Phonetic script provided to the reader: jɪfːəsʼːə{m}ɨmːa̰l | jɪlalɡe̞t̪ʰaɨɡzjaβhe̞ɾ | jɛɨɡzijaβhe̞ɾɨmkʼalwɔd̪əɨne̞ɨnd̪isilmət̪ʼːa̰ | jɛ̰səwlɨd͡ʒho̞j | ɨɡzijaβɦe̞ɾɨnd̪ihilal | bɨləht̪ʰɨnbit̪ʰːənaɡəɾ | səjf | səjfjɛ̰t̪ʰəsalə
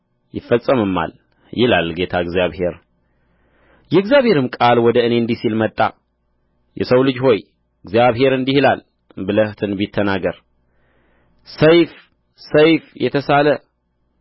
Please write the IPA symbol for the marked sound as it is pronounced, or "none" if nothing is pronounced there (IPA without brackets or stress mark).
m